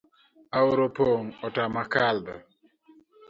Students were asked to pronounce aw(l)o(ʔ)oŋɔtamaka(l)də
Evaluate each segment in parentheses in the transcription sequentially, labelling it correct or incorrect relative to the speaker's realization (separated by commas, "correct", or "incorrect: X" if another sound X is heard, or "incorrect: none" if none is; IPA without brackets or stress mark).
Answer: incorrect: ɾ, incorrect: p, correct